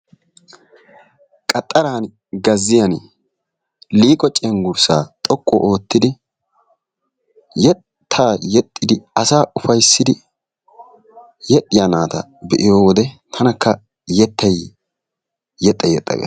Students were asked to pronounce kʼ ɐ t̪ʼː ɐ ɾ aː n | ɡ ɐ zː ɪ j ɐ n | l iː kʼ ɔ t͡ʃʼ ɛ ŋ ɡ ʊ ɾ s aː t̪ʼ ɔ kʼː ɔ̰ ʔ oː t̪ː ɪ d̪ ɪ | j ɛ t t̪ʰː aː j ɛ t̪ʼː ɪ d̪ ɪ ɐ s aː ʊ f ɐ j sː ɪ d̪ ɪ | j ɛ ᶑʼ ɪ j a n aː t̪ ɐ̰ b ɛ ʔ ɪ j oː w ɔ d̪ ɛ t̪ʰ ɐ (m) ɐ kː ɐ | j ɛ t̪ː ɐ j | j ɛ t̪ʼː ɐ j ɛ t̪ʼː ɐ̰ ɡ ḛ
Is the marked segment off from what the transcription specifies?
yes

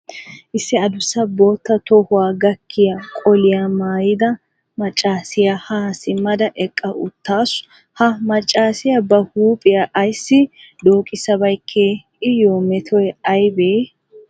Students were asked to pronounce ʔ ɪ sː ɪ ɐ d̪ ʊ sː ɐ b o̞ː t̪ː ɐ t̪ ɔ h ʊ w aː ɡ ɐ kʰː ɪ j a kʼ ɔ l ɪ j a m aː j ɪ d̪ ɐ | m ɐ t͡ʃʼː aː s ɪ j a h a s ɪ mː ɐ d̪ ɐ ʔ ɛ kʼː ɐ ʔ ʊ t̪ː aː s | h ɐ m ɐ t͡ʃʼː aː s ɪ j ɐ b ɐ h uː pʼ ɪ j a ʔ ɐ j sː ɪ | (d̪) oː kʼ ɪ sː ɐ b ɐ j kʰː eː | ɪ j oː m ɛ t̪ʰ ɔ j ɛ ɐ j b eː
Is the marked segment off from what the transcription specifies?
no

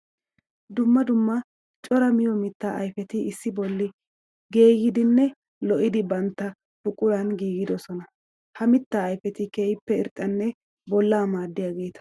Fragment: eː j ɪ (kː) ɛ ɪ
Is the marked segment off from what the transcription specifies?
yes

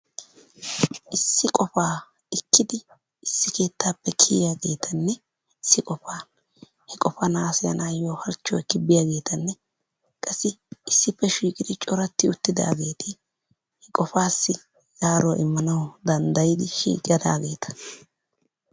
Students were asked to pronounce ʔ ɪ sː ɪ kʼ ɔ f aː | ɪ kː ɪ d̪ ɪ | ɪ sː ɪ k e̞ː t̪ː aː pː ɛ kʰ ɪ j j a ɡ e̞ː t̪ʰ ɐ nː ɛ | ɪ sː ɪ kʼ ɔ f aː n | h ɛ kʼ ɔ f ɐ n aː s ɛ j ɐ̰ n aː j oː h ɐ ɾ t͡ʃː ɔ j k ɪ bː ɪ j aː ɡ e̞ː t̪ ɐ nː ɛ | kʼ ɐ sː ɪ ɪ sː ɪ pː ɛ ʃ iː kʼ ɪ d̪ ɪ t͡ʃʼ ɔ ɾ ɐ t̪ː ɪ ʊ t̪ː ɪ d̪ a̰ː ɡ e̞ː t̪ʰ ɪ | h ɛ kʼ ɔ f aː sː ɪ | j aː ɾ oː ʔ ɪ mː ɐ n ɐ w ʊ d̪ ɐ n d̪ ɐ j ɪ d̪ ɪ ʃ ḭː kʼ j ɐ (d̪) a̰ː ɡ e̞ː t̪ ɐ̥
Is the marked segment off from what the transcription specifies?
no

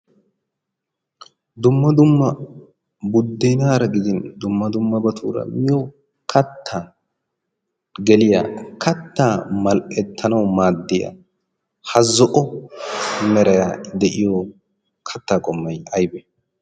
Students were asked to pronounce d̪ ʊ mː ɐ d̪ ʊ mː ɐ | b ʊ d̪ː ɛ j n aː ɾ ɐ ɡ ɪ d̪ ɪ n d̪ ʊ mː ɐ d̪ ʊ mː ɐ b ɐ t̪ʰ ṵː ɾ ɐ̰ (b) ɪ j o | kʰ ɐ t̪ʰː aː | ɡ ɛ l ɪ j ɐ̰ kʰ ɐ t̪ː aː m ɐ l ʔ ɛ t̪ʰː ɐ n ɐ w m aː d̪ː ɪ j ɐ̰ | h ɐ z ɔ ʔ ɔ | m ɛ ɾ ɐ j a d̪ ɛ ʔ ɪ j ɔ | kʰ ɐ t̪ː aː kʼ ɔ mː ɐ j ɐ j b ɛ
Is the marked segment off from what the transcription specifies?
yes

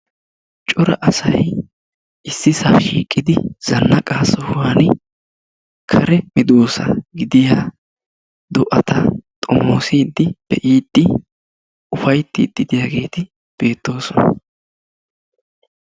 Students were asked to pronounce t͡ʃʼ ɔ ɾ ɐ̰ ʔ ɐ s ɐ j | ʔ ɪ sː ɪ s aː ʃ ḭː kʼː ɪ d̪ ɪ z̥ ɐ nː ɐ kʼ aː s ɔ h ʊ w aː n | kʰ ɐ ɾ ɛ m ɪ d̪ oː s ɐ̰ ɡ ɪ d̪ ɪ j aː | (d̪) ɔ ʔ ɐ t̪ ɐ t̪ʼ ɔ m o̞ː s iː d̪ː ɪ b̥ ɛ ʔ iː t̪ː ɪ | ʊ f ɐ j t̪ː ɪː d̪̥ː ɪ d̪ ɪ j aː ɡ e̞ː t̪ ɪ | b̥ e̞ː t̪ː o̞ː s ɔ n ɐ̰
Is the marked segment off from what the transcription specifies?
no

